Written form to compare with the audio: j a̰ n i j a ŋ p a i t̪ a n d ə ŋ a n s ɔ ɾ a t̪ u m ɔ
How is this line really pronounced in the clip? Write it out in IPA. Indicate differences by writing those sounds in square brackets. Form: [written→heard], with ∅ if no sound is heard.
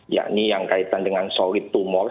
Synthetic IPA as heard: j a̰ n i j a ŋ [p→k] a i t̪ a n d ə ŋ a n s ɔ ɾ [a→i] t̪ u m ɔ